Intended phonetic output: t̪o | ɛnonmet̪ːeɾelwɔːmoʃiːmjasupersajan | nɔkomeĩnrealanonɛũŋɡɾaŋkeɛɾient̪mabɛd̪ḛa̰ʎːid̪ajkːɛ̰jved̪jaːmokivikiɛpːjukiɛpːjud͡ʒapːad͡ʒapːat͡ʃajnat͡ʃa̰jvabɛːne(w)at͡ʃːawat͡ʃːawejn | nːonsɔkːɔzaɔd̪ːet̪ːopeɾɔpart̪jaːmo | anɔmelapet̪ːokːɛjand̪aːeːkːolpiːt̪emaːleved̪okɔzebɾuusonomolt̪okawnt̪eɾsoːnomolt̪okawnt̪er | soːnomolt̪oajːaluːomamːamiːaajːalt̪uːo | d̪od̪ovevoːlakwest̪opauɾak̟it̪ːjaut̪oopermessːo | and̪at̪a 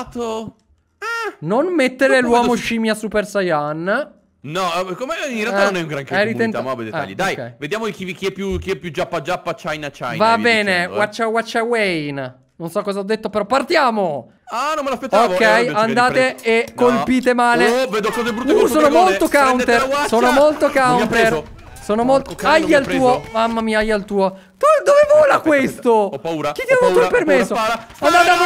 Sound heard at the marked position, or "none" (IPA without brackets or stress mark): w